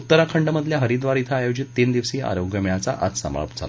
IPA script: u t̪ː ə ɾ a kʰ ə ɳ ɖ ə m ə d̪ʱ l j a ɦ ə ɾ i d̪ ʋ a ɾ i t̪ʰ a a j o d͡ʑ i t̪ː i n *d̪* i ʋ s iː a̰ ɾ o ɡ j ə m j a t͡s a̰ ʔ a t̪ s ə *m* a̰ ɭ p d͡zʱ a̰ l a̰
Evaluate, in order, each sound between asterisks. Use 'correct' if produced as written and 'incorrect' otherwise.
correct, correct

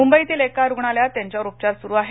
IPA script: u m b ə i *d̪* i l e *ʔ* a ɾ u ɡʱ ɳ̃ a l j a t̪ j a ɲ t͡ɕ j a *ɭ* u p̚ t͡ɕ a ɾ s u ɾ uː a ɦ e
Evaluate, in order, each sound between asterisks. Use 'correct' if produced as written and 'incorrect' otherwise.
incorrect: t̪, incorrect: k, incorrect: ɾ

